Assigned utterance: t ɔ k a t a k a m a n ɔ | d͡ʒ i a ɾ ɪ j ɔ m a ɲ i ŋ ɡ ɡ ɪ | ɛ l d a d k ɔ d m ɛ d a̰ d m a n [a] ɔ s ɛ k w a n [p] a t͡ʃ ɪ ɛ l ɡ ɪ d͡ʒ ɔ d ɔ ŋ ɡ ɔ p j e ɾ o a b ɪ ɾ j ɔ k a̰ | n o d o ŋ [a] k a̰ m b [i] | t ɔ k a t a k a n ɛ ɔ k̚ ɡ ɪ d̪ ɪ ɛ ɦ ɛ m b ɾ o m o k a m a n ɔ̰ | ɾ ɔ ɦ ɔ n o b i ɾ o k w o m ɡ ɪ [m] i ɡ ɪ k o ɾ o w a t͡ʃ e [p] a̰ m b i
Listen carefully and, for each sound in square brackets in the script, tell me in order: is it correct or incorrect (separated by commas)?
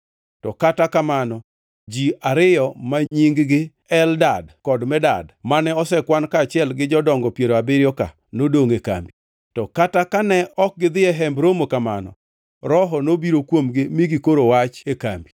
incorrect, incorrect, incorrect, correct, correct, incorrect